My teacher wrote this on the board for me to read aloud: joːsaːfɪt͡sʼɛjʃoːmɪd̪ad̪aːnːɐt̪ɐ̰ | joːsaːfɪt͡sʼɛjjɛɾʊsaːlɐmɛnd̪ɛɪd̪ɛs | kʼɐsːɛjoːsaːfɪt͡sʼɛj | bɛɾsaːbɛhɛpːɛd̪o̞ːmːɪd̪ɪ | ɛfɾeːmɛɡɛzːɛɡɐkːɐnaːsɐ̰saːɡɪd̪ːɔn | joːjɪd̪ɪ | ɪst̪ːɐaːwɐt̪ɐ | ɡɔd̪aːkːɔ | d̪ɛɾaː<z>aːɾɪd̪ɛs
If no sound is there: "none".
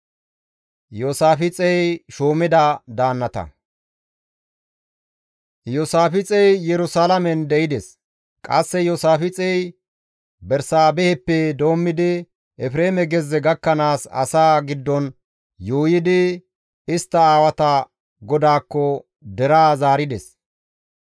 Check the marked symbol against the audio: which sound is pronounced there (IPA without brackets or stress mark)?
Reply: z